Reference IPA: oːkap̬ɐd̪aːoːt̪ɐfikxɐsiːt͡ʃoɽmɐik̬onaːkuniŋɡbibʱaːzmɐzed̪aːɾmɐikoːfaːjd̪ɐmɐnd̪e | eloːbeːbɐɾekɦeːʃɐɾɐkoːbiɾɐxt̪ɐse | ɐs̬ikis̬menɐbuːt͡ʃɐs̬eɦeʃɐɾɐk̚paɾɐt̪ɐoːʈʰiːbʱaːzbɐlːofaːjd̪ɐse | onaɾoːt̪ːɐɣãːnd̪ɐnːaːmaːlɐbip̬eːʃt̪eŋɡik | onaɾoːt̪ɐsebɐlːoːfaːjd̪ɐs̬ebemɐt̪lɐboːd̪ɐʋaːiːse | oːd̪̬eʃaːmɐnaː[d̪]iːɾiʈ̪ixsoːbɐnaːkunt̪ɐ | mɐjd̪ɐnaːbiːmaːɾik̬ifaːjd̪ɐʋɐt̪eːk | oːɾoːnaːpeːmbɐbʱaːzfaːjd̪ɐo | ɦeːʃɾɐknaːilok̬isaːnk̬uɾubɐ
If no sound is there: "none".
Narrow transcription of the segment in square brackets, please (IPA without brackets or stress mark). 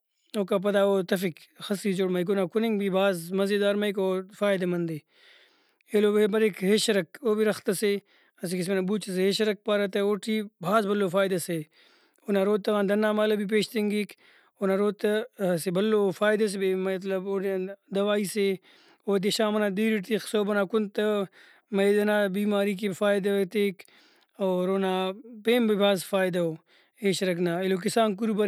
d̪